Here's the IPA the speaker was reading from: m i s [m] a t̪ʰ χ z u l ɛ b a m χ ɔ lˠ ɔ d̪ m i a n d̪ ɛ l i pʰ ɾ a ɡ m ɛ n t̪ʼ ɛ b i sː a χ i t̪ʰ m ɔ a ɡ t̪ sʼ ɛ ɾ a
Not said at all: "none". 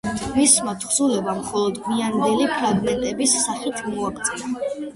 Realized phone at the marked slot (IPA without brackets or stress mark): m